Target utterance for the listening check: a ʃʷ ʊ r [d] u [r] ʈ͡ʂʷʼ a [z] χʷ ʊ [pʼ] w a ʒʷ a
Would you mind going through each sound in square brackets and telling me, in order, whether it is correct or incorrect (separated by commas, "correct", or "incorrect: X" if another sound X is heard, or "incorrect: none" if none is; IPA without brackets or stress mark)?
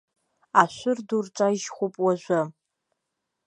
correct, correct, incorrect: ʒ, correct